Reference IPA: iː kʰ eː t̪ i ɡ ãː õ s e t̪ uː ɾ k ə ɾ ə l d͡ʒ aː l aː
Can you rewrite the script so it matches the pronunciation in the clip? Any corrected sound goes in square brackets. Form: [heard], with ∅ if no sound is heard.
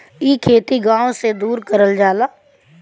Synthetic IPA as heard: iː kʰ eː t̪ i ɡ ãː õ s e [d̪] uː ɾ k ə ɾ ə l d͡ʒ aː l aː